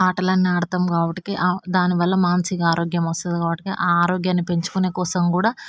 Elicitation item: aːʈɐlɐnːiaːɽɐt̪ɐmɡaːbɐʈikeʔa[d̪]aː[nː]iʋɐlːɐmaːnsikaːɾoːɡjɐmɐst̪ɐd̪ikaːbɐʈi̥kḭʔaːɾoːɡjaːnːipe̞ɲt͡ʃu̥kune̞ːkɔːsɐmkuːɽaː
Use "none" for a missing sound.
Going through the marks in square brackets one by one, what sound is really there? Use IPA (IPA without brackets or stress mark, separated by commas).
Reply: d̪, n